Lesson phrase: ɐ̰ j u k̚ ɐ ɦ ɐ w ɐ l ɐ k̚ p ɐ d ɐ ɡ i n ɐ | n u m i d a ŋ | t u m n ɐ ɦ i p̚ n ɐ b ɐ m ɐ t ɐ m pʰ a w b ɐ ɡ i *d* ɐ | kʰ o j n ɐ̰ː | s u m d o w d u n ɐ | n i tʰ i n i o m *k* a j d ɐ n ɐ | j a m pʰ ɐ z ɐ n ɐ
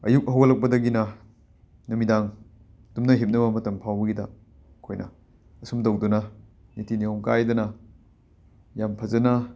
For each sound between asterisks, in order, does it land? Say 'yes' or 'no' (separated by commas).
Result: yes, yes